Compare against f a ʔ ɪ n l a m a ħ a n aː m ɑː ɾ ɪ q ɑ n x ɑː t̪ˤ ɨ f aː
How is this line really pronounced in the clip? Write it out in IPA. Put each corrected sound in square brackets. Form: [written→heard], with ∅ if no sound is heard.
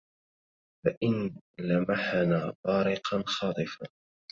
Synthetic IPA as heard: f a ʔ ɪ n l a m a ħ a n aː [m→b] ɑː ɾ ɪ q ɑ n x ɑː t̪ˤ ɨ f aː